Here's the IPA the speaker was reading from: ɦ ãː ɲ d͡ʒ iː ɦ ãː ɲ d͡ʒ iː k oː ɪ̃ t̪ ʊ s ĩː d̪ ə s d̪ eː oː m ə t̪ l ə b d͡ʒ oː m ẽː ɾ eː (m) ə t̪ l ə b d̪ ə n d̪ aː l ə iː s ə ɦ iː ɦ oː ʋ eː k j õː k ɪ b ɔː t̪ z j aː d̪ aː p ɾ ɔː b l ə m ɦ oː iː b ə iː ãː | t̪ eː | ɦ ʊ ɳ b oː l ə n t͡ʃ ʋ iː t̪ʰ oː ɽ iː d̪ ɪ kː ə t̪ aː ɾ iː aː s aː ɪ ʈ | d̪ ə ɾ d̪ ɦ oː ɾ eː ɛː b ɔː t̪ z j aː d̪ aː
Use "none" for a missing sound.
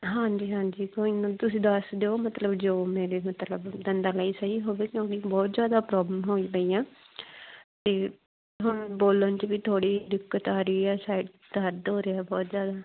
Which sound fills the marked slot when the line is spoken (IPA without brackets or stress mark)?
m